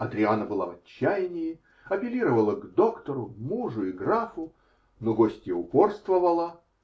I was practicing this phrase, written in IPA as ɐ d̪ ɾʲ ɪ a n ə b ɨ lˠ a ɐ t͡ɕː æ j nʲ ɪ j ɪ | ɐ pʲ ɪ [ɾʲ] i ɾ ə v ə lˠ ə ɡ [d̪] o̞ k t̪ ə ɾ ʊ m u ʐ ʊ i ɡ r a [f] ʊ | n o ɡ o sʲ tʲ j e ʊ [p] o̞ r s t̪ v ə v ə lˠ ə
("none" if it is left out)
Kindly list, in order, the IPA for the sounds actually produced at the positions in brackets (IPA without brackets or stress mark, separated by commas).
lʲ, d̪, f, p